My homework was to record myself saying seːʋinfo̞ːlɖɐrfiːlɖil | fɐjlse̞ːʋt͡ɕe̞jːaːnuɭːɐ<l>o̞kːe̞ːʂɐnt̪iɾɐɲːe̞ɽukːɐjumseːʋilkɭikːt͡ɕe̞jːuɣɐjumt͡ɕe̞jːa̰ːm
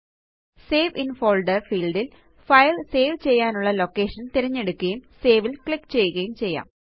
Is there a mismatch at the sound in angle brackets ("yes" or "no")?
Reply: no